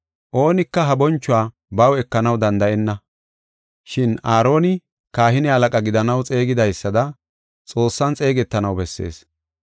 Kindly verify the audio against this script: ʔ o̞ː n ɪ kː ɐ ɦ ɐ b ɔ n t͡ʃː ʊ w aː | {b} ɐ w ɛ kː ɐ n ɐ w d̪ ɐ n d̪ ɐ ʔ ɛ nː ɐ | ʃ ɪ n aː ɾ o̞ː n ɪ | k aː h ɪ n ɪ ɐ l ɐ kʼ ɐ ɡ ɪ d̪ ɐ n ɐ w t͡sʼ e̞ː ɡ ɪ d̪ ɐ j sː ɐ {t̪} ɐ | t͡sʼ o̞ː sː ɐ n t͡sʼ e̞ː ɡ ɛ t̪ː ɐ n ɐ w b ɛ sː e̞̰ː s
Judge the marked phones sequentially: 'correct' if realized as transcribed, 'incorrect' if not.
correct, incorrect: d̪

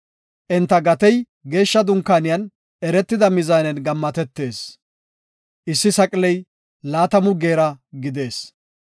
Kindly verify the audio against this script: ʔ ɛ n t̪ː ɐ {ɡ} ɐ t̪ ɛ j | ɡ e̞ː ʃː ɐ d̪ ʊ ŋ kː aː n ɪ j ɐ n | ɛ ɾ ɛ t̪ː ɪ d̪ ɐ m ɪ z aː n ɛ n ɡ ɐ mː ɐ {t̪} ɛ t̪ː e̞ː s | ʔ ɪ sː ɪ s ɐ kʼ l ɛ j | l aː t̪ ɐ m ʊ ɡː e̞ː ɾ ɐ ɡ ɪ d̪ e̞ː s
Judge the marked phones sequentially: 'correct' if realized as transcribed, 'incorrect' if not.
correct, correct

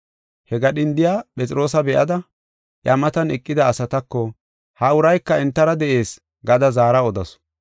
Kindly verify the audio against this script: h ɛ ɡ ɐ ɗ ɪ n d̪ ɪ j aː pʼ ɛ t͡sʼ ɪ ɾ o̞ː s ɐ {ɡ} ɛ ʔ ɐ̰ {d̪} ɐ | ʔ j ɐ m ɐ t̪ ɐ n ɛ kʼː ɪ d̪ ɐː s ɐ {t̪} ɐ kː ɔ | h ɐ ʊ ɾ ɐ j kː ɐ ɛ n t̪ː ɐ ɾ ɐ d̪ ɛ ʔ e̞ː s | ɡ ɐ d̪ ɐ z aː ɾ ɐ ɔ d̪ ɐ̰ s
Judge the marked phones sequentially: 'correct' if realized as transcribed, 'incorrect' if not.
incorrect: b, correct, correct

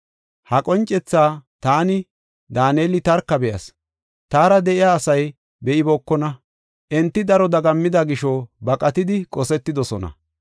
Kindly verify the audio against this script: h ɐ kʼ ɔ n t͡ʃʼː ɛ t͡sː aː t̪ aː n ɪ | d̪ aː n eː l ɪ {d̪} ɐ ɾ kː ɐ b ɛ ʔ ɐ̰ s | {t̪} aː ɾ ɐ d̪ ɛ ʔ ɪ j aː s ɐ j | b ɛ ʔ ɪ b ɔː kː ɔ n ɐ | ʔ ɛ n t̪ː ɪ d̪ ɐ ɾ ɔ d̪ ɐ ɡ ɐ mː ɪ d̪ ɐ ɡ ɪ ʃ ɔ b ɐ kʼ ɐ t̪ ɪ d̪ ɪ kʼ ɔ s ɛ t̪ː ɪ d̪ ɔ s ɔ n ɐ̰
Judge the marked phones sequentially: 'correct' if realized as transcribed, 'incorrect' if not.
incorrect: t̪, correct

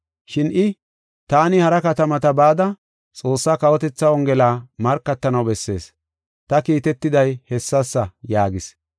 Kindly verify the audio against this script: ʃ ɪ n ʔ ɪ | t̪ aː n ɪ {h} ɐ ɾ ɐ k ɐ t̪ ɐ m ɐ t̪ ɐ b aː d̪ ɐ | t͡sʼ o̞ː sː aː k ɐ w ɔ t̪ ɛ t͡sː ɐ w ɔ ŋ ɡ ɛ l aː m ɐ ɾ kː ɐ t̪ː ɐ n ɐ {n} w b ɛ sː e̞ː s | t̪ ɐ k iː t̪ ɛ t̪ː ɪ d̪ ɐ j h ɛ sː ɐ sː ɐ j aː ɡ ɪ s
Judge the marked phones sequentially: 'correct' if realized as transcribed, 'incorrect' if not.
correct, incorrect: none

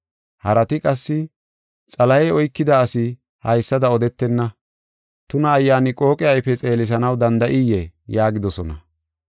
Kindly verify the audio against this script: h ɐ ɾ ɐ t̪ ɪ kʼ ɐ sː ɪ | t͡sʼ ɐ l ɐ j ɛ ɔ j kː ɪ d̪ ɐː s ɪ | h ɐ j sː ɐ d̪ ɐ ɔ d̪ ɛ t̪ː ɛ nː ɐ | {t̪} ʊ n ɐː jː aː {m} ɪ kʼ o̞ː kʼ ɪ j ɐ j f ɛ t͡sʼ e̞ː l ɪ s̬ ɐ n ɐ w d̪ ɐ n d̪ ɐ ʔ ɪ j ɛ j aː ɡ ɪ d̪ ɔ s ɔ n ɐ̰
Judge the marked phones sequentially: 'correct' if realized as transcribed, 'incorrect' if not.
correct, incorrect: n

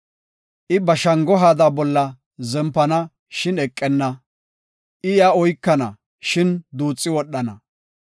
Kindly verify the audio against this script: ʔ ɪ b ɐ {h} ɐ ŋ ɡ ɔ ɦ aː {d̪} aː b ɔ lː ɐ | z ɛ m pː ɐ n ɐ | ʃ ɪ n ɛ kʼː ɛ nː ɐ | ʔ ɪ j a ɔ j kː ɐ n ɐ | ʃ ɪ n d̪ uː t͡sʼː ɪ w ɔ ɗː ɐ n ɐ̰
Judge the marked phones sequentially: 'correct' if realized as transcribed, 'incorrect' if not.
incorrect: ʃ, correct

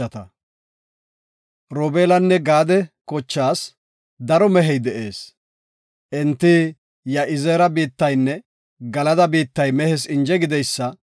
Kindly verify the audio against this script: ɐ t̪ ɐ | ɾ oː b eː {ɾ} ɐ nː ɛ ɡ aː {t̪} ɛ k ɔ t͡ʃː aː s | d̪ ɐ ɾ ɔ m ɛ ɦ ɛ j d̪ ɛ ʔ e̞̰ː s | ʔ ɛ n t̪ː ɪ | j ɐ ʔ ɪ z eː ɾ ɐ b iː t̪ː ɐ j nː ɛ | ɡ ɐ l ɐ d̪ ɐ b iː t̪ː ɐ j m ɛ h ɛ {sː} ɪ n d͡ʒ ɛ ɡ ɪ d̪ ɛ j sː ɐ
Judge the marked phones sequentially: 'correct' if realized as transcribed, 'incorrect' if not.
incorrect: l, incorrect: d̪, incorrect: s

